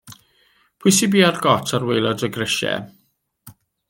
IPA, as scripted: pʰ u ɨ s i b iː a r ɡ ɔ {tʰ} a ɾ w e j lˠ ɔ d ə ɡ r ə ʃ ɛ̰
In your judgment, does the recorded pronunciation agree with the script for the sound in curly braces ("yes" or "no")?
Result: yes